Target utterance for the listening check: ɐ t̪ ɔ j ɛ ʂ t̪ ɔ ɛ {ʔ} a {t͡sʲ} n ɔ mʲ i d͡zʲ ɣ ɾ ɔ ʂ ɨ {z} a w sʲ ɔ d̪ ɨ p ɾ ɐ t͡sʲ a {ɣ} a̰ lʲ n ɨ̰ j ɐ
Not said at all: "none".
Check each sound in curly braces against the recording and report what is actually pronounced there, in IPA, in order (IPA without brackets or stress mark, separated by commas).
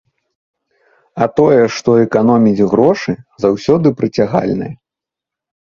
k, none, z, ɣ